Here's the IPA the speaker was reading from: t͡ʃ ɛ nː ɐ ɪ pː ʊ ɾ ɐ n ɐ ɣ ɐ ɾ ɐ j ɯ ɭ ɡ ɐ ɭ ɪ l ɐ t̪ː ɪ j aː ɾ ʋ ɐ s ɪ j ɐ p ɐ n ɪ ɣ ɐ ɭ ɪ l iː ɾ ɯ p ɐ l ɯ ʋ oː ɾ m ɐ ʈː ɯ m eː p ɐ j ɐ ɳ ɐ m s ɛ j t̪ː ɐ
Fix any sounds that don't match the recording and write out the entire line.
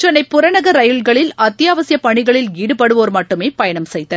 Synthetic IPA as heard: t͡ʃ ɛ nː ɐ ɪ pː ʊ ɾ ɐ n ɐ ɣ ɐ ɾ ɐ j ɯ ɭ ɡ ɐ ɭ ɪ l ɐ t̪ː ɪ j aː ʋ ɐ s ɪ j ɐ p ɐ ɳ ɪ ɣ ɐ ɭ ɪ l iː ɽ ɯ p ɐ ɽ ɯ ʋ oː ɾ m ɐ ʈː ɯ m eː p ɐ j ɐ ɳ ɐ m s ɛ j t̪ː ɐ